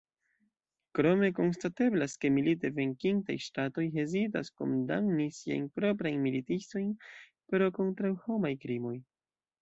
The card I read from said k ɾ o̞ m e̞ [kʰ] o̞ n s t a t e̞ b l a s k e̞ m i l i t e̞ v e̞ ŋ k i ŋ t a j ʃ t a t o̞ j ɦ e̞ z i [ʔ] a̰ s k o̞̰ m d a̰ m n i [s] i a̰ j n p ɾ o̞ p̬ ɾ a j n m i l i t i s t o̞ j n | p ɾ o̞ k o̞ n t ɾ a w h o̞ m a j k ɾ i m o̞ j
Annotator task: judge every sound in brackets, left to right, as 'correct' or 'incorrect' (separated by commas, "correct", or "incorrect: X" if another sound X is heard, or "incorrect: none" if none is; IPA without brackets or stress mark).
incorrect: k, incorrect: t, correct